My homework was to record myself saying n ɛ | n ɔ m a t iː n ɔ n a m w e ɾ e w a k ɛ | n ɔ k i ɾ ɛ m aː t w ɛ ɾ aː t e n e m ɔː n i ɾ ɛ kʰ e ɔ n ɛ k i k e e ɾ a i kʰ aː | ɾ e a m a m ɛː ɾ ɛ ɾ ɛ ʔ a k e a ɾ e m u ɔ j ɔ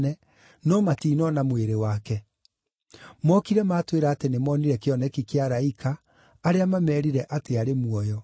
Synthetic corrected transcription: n ɛ | n ɔ m a t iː n ɔ n a m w e ɾ e w a k ɛ | m ɔ k i ɾ ɛ m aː t w e ɾ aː t e n e m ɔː n i ɾ ɛ k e ɔ n ɛ k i k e a ɾ a i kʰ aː | ɾ e a m a m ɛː ɾ i ɾ ɛ ʔ a t e a ɾ e m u ɔ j ɔ